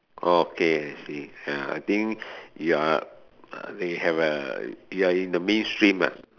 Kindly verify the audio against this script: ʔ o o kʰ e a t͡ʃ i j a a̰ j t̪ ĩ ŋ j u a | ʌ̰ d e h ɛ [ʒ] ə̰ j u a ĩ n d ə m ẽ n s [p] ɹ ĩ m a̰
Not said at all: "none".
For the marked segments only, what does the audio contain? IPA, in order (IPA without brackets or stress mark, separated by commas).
v, t